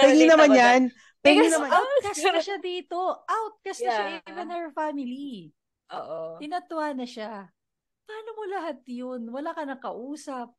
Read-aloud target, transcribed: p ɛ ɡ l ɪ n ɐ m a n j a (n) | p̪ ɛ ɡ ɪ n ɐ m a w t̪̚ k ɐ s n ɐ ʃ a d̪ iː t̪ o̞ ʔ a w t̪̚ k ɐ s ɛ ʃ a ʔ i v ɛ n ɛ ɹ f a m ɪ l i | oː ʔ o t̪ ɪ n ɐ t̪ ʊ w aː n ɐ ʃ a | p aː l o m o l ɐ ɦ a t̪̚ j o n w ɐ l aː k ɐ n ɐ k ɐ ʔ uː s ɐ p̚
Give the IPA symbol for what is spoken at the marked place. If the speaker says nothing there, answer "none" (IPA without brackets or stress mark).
n